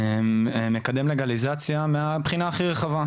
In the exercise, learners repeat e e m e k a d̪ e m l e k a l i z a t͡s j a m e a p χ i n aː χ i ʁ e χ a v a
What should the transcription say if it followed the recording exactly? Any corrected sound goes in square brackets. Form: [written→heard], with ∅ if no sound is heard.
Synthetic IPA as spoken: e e m e k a d̪ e m l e [k→ɡ] a l i z a t͡s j a m e a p χ i n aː χ i ʁ e χ a v a